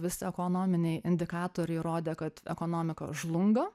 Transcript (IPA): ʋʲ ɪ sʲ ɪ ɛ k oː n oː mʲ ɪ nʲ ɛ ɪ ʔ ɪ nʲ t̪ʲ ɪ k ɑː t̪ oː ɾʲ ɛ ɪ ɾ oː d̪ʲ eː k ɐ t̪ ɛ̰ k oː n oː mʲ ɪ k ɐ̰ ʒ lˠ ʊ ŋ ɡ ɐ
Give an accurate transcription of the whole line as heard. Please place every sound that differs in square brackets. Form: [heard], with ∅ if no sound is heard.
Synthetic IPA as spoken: ʋʲ ɪ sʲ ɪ ɛ k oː n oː mʲ ɪ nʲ ɛ ɪ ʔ ɪ nʲ [d̪ʲ] ɪ k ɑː t̪ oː ɾʲ ɛ ɪ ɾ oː d̪ʲ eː k ɐ t̪ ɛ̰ k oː n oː mʲ ɪ k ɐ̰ ʒ lˠ ʊ ŋ ɡ ɐ